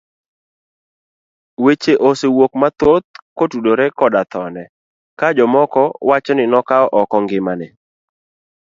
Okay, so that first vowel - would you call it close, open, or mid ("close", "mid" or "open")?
mid